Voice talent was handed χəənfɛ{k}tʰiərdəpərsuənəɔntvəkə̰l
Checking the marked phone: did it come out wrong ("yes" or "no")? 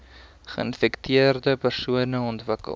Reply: no